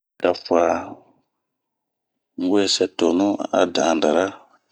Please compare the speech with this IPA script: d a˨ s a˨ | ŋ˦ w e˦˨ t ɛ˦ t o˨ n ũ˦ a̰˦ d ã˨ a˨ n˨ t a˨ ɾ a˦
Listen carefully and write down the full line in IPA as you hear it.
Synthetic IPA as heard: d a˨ f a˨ | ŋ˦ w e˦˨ s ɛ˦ t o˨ n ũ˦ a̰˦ d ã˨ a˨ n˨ d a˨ ɾ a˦

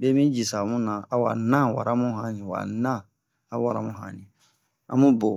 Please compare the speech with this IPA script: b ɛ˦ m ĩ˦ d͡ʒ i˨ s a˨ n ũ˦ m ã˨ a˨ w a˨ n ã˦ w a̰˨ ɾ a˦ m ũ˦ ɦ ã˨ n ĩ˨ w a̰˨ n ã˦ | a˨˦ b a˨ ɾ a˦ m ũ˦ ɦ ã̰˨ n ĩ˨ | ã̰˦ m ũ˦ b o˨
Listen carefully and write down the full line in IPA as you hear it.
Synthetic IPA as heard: b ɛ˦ m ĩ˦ d͡ʒ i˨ s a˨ m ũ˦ n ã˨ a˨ w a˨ n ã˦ w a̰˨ ɾ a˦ m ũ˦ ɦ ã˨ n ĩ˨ w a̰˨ n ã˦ | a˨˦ w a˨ ɾ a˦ m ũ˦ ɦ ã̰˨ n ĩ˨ | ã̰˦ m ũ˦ b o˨

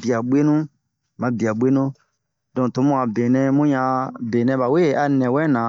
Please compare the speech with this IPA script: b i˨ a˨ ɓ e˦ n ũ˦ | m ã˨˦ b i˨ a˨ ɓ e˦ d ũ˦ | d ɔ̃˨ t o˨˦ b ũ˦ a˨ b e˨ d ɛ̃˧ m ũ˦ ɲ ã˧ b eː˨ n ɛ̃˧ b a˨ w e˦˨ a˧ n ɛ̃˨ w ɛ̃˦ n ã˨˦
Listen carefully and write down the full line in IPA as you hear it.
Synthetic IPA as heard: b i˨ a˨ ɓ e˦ n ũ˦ | m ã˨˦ b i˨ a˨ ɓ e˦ n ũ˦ | d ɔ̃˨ t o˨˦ m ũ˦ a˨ b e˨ n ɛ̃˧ m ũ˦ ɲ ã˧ b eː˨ n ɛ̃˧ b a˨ w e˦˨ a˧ n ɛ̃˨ w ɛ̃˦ n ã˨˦

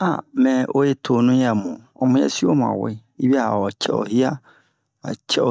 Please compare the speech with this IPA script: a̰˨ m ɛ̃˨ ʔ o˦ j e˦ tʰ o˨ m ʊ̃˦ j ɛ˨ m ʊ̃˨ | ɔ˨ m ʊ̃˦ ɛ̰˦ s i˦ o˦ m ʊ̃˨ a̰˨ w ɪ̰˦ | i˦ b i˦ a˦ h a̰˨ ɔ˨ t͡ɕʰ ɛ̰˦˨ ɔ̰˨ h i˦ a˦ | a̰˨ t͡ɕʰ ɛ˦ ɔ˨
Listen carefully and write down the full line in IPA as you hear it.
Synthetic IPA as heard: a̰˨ m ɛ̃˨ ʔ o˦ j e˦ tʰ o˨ n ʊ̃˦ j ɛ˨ m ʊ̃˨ | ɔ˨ m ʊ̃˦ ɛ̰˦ s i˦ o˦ m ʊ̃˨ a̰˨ w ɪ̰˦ | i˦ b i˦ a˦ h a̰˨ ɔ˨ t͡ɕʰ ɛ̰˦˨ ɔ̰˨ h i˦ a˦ | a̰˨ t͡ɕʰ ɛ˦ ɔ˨

